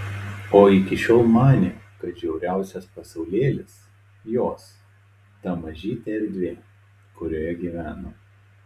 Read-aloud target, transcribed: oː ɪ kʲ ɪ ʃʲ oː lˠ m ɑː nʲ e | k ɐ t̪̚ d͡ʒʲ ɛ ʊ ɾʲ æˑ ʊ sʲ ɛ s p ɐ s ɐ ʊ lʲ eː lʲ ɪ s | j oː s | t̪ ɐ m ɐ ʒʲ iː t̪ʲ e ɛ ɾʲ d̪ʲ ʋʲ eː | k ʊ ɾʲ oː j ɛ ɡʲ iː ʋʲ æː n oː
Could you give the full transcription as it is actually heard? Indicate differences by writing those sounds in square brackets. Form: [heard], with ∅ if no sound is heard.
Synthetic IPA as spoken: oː ɪ kʲ ɪ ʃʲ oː lˠ m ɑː nʲ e | k ɐ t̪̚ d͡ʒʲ ɛ ʊ ɾʲ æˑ ʊ sʲ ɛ s p ɐ s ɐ ʊ lʲ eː lʲ ɪ s | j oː s | t̪ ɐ m ɐ ʒʲ iː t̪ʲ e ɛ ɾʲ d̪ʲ ʋʲ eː | k ʊ ɾʲ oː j ɛ ɡʲ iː ʋʲ æː n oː